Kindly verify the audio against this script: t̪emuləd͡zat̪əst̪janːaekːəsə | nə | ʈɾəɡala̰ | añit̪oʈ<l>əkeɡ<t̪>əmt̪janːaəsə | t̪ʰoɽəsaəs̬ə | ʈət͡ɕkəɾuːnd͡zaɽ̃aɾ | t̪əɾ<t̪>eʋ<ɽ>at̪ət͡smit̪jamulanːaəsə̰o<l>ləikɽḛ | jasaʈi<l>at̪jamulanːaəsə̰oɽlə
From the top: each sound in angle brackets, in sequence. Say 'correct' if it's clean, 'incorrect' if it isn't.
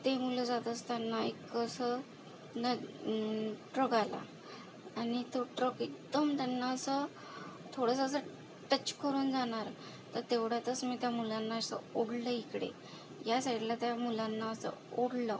incorrect: ɾ, incorrect: d̪, correct, correct, incorrect: ɽ, correct

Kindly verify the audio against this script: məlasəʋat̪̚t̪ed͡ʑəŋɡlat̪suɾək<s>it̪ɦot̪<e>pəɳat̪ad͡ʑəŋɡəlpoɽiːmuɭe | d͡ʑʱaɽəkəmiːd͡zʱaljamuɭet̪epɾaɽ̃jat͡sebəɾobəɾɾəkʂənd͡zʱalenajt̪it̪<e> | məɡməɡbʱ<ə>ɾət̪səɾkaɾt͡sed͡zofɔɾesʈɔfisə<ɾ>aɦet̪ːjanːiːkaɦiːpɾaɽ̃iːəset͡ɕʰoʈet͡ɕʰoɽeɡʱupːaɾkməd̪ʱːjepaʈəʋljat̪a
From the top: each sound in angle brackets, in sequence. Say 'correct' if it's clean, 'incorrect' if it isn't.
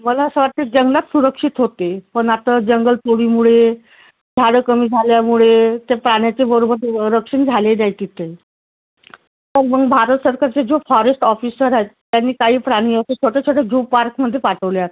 incorrect: ʂ, correct, correct, incorrect: a, correct

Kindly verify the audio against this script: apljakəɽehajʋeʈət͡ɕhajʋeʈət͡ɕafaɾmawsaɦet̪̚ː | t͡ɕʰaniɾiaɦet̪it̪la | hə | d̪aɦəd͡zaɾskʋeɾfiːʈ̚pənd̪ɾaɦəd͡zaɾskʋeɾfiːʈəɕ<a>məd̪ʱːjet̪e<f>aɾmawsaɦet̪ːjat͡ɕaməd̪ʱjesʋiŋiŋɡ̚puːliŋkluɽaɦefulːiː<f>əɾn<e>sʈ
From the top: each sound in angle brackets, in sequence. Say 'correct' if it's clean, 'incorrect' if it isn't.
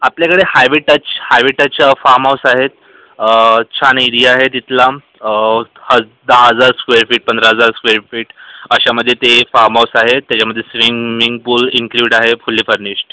correct, correct, correct, incorrect: i

